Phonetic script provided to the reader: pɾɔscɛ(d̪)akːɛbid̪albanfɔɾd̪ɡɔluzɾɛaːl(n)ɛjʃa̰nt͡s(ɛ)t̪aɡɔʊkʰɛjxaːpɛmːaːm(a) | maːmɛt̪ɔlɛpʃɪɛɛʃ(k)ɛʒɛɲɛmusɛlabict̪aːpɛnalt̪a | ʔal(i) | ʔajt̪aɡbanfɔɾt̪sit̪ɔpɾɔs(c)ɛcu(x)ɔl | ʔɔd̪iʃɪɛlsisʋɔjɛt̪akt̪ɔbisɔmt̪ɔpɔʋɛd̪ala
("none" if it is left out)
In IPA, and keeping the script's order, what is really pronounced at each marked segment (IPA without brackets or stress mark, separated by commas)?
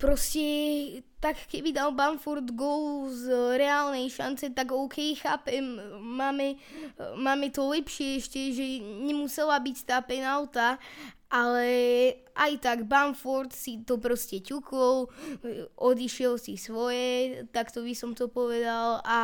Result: t̪, n, ɛ, ɛ, c, ɛ, c, k